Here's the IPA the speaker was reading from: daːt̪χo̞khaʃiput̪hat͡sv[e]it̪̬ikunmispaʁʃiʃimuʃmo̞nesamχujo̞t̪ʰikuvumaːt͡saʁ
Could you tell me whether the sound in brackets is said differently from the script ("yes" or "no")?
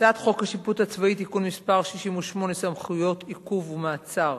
yes